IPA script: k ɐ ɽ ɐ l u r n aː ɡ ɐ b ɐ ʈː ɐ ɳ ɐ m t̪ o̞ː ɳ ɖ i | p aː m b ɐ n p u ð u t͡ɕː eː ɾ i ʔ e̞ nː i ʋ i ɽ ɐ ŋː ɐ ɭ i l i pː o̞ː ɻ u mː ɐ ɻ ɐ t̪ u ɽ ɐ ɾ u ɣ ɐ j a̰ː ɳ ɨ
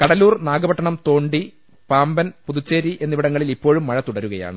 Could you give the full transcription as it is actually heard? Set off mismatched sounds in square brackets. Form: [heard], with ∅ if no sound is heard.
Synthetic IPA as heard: k ɐ ɽ ɐ l [uː] r n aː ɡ ɐ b ɐ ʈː ɐ ɳ ɐ m t̪ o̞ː ɳ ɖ i | p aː m b ɐ n p u ð u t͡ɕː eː ɾ i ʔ e̞ nː i ʋ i ɽ ɐ ŋː ɐ ɭ i l i pː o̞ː ɻ u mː ɐ ɻ ɐ t̪ u ɽ ɐ ɾ u ɣ ɐ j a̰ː ɳ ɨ